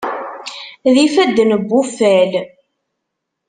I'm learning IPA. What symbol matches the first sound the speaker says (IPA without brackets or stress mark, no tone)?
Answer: ð